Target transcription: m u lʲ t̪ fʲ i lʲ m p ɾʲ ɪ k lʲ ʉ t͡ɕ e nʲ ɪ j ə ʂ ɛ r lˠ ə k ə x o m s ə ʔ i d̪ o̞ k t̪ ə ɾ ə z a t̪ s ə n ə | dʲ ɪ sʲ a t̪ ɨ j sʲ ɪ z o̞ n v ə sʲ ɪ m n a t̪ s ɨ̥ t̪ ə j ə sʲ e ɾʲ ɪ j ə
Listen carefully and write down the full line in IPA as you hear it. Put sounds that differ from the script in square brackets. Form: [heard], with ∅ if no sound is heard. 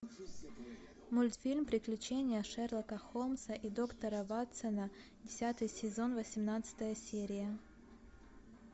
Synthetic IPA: m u lʲ t̪ fʲ i lʲ m p ɾʲ ɪ k lʲ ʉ t͡ɕ e nʲ ɪ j ə ʂ ɛ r lˠ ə k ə x o m s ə ʔ i d̪ o̞ k t̪ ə ɾ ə [v] a t̪ s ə n ə | dʲ ɪ sʲ a t̪ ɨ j sʲ ɪ z o̞ n v ə sʲ ɪ m n a t̪ s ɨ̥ t̪ ə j ə sʲ e ɾʲ ɪ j ə